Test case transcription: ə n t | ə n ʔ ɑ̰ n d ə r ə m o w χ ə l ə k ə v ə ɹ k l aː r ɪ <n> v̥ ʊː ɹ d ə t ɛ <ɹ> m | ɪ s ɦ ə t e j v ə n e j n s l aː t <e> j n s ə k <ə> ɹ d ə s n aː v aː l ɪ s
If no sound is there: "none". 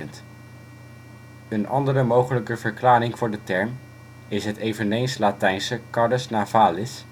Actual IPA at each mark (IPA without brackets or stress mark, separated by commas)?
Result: ŋ, ɹ, ɛ, ɑ